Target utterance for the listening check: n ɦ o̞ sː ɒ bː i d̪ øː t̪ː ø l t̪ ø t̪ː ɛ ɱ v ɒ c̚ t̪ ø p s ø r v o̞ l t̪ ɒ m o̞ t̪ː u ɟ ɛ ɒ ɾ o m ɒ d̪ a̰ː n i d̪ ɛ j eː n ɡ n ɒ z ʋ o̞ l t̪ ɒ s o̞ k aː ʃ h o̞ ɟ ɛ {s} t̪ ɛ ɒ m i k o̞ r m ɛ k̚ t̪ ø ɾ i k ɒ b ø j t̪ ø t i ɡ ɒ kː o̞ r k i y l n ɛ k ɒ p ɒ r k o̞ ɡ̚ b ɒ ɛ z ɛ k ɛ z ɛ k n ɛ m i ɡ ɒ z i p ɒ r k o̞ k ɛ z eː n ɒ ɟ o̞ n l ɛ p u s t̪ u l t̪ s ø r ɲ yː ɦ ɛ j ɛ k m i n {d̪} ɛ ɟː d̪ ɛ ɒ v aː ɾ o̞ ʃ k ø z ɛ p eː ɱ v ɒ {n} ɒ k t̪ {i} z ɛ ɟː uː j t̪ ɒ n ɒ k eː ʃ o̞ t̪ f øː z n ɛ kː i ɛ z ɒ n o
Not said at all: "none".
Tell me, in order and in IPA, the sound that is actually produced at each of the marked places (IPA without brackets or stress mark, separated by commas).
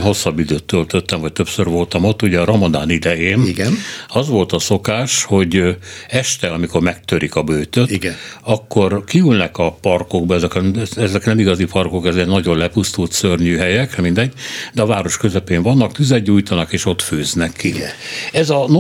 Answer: ʃ, d̪, nː, y